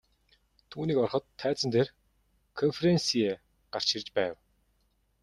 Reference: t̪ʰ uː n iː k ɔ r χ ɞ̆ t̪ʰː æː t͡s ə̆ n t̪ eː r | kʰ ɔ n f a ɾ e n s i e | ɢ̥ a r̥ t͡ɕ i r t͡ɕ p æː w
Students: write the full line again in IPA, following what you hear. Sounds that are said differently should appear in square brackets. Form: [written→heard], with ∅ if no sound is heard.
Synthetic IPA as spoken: t̪ʰ uː n iː k ɔ r χ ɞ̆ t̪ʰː æː t͡s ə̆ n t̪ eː r | kʰ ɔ n f [a→e] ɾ e n s i e | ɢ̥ a r̥ t͡ɕ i r t͡ɕ p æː w